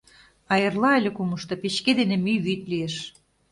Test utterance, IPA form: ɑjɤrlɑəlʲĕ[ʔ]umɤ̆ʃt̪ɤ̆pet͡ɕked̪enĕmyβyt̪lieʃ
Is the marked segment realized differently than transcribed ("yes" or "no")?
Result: yes